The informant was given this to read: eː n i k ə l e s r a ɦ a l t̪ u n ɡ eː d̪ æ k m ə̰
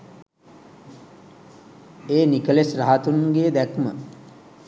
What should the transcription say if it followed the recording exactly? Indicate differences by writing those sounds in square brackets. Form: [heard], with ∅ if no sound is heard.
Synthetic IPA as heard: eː n i k ə l e s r a ɦ a [∅] t̪ u n ɡ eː d̪ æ k m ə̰

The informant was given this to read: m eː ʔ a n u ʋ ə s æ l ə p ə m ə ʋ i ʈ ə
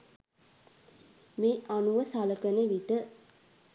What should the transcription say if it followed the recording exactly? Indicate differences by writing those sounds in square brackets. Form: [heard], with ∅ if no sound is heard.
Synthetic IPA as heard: m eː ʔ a n u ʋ ə s [a] l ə [k] ə [n] ə ʋ i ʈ ə

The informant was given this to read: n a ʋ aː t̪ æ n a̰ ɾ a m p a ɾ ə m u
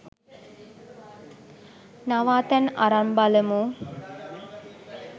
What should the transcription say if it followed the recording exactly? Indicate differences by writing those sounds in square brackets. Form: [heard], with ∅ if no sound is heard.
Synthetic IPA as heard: n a ʋ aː t̪ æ n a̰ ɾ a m [b] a [l] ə m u

